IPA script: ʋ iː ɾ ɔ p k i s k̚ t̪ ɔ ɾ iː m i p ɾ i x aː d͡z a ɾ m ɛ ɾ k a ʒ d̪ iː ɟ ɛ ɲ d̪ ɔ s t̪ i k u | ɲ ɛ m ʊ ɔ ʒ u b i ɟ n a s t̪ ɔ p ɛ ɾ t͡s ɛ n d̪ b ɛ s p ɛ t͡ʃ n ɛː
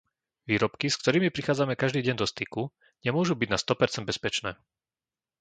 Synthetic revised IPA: ʋ iː ɾ ɔ p k i s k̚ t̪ ɔ ɾ iː m i p ɾ i x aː d͡z a m ɛ k a ʒ d̪ iː ɟ ɛ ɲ d̪ ɔ s t̪ i k u | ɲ ɛ m ʊ ɔ ʒ u b i ɟ n a s t̪ ɔ p ɛ ɾ t͡s ɛ n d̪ b ɛ s p ɛ t͡ʃ n ɛː